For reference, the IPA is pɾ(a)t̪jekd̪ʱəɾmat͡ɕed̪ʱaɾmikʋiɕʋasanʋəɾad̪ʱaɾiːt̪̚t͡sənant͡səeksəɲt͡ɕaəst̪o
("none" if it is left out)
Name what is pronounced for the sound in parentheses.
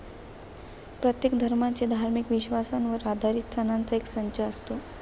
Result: ə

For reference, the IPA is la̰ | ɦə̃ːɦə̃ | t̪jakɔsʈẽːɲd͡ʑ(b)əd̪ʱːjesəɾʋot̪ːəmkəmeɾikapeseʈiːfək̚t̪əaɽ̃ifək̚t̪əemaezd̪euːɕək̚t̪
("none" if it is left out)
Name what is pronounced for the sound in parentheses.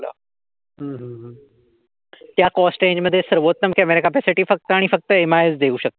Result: m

